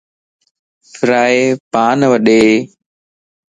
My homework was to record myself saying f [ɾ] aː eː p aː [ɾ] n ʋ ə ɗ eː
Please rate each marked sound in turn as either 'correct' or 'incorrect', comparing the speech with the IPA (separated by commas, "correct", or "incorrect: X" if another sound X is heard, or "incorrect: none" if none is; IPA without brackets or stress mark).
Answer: correct, incorrect: none